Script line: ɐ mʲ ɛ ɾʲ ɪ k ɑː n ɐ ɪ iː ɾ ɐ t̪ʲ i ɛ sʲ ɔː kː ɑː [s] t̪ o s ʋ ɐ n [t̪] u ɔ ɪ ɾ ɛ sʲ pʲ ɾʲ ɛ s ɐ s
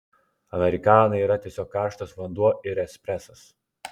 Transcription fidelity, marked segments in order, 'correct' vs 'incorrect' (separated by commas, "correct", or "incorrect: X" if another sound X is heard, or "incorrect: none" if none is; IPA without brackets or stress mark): incorrect: ʃ, incorrect: d̪